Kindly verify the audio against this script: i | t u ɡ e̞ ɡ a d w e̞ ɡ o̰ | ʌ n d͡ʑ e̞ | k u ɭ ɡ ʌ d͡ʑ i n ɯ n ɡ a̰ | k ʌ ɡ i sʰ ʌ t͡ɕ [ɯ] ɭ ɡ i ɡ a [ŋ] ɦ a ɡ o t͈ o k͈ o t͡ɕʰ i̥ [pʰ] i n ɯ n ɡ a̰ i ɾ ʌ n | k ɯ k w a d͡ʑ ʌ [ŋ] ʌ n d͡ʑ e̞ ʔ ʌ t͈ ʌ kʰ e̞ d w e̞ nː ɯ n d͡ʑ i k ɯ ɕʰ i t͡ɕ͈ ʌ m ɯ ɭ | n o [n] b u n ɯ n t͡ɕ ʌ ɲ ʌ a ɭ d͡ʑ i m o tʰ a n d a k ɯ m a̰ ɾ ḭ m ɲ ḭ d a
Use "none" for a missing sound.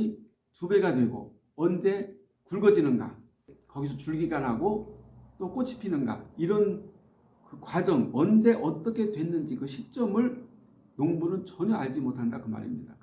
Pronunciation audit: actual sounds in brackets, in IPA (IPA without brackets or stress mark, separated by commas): u, n, pʰ, ŋ, ŋ